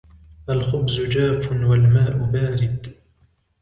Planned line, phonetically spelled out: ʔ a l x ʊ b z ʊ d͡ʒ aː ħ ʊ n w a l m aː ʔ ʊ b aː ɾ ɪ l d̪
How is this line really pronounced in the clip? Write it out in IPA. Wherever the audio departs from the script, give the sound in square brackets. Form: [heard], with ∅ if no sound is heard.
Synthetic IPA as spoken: ʔ a l x ʊ b z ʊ d͡ʒ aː [f] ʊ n w a l m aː ʔ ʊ b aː ɾ ɪ [∅] d̪

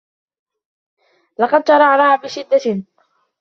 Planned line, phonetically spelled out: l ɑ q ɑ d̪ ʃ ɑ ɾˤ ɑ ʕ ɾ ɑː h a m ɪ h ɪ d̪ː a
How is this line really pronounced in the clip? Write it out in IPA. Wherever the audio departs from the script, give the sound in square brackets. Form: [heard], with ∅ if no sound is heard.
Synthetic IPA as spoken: l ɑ q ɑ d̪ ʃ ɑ ɾˤ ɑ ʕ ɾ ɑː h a [b] ɪ [ʃ] ɪ d̪ː a

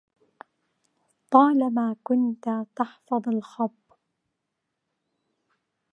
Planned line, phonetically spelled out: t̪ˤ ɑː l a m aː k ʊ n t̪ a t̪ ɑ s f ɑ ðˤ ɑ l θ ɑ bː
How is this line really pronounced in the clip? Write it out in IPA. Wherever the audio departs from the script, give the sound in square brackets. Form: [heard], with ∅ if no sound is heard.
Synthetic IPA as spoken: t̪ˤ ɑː l a m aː k ʊ n t̪ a t̪ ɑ [ħ] f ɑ ðˤ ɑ l [x] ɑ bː

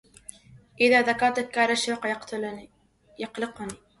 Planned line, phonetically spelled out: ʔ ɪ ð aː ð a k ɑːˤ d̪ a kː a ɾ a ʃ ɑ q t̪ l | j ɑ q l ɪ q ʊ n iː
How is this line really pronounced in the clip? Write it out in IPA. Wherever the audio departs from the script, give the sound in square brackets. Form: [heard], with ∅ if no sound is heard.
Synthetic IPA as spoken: ʔ ɪ ð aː ð a k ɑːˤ [t̪] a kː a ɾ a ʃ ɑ q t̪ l | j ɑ q l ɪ q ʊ n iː

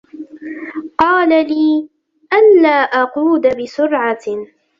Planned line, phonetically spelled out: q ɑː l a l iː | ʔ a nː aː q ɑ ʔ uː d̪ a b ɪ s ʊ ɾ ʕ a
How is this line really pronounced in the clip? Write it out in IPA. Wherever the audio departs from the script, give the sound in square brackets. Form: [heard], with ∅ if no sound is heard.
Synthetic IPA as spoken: q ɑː l a l iː | ʔ a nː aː [ʔ] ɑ [q] uː d̪ a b ɪ s ʊ ɾ ʕ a

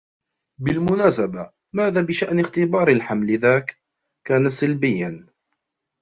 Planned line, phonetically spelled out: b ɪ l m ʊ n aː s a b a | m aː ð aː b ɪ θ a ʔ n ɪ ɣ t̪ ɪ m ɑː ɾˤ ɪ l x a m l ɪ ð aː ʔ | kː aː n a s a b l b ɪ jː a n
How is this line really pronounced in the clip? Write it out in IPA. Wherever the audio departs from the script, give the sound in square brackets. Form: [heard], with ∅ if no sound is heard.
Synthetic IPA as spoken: b ɪ l m ʊ n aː s a b a | m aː ð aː b ɪ [ʃ] a ʔ n ɪ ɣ t̪ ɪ [b] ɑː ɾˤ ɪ l [ħ] a m l ɪ ð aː [k] | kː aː n a s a [∅] l b ɪ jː a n

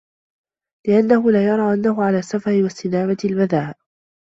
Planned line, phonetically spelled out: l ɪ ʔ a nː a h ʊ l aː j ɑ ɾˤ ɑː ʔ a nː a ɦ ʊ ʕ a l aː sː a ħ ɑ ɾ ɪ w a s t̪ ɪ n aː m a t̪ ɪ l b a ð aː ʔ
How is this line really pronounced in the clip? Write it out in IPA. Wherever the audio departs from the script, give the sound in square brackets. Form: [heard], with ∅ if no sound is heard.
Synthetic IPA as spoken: l ɪ ʔ a nː a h ʊ l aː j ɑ ɾˤ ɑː ʔ a nː a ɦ ʊ ʕ a l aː sː a [f] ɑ ɾ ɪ w a s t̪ ɪ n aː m a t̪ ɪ l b a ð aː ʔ

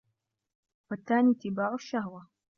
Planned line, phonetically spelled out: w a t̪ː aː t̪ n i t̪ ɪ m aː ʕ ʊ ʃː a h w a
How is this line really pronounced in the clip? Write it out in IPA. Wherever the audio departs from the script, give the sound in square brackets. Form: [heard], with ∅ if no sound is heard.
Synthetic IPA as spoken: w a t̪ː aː [∅] n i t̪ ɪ [b] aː ʕ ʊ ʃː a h w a

